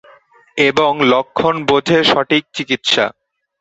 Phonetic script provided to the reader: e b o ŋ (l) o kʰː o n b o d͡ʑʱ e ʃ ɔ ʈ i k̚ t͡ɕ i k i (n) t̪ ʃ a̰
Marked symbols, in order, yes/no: yes, no

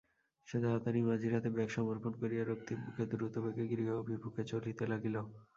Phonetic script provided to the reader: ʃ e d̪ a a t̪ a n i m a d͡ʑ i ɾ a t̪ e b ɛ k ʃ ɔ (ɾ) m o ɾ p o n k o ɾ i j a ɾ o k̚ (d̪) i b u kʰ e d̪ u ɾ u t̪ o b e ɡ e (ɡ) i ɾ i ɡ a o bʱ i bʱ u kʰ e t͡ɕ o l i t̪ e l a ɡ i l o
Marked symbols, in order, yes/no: no, no, yes

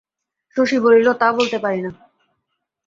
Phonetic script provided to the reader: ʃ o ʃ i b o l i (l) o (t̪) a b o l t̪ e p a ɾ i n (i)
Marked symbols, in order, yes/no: yes, yes, no

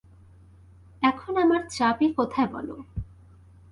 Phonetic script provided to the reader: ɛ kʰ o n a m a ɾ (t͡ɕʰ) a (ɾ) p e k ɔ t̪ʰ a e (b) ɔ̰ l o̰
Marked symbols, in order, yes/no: no, no, yes

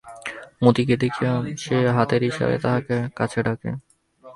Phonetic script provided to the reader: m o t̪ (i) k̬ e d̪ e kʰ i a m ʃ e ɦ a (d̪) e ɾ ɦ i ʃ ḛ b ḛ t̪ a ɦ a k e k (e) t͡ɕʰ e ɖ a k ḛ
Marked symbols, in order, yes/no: yes, no, no

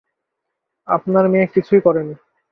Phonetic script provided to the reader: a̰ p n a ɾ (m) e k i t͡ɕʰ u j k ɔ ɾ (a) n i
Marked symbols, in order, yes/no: yes, no

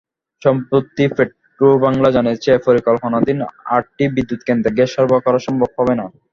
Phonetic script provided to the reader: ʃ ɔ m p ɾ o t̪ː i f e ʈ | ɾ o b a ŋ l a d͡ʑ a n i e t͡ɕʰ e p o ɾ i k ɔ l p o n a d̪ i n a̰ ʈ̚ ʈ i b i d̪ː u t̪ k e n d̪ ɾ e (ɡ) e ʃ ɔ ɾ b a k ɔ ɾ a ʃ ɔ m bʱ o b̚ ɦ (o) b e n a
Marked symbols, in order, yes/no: yes, no

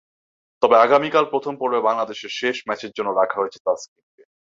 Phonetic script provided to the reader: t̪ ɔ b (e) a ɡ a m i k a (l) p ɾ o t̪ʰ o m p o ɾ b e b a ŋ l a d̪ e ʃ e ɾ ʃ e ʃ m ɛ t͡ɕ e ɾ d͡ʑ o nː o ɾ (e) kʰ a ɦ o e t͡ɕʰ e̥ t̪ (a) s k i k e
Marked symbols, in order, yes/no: yes, yes, no, yes

